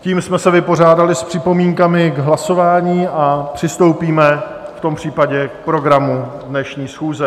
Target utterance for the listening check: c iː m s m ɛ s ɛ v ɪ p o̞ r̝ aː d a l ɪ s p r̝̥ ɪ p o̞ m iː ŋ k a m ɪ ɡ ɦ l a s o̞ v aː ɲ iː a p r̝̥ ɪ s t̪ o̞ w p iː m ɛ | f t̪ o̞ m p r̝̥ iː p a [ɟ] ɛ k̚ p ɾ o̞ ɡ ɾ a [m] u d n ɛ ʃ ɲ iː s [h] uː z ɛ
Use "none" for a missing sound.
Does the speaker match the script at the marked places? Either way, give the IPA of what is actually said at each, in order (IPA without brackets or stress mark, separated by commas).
ɟ, m, x